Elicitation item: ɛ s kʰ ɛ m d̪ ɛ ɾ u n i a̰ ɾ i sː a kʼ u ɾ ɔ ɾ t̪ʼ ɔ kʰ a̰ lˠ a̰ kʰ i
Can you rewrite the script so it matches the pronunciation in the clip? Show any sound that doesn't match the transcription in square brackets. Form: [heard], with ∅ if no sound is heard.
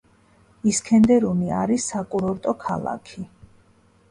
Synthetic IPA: [i] s kʰ ɛ [n] d̪ ɛ ɾ u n i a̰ ɾ i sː a kʼ u ɾ ɔ ɾ t̪ʼ ɔ kʰ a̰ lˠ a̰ kʰ i